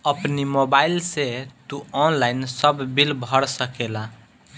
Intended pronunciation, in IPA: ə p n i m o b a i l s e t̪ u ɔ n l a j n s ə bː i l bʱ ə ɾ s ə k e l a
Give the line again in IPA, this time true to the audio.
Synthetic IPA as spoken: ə p n i m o b a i l s e t̪ u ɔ n l a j n s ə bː i l bʱ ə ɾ s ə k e l a